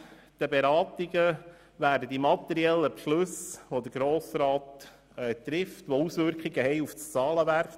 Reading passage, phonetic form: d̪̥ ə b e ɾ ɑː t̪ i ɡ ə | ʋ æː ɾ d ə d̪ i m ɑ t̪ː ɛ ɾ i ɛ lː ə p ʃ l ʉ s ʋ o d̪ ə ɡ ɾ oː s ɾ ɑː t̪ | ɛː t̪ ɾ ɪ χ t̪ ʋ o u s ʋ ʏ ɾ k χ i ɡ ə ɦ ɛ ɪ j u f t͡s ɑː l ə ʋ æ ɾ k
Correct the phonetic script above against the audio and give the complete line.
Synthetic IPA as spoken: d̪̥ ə b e ɾ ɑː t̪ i ɡ ə | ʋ æː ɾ d ə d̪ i m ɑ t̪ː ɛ ɾ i ɛ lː ə p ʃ l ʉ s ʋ o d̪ ə ɡ ɾ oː s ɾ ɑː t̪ | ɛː t̪ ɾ ɪ f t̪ ʋ o u s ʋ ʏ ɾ k χ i ɡ ə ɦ ɛ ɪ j u f t͡s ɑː l ə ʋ æ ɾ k